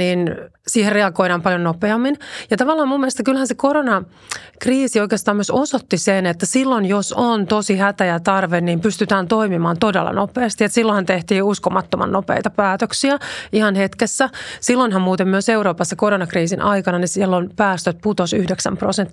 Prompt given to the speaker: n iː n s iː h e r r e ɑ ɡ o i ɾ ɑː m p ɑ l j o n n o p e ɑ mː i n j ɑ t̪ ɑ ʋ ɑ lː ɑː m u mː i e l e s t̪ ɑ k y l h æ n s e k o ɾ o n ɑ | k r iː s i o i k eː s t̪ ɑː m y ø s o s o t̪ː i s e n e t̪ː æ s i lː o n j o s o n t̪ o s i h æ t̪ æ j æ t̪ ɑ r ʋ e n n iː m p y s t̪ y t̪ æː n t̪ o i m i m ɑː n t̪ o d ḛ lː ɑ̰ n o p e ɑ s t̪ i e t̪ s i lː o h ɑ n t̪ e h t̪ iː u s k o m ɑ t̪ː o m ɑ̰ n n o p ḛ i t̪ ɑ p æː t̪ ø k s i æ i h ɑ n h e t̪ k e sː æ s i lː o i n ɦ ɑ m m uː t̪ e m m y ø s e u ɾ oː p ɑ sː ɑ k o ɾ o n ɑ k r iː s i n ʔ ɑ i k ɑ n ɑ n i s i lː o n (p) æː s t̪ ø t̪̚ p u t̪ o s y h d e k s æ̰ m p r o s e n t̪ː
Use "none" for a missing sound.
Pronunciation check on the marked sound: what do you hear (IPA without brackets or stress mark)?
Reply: p